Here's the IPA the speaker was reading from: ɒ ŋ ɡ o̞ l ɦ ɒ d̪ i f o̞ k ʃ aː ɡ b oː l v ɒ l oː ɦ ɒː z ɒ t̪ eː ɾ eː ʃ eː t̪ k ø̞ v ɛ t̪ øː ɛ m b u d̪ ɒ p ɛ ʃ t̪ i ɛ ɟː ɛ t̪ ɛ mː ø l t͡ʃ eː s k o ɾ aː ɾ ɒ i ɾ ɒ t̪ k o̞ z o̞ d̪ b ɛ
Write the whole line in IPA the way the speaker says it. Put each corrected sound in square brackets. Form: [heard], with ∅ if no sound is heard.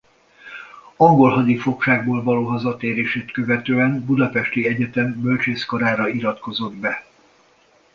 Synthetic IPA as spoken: ɒ ŋ ɡ o̞ l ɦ ɒ d̪ i f o̞ k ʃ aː ɡ b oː l v ɒ l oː ɦ [ɒ] z ɒ t̪ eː ɾ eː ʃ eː t̪ k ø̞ v ɛ t̪ øː ɛ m b u d̪ ɒ p ɛ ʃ t̪ i ɛ [ɟ] ɛ t̪ ɛ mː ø l t͡ʃ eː s k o ɾ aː ɾ ɒ i ɾ ɒ t̪ k o̞ z o̞ d̪ b ɛ